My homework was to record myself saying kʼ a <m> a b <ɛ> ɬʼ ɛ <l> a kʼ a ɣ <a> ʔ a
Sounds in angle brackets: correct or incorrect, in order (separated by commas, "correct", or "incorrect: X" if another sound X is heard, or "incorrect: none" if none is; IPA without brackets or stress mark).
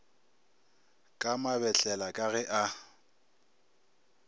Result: correct, correct, correct, incorrect: ɛ